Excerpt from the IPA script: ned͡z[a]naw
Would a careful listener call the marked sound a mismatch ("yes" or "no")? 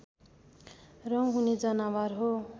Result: yes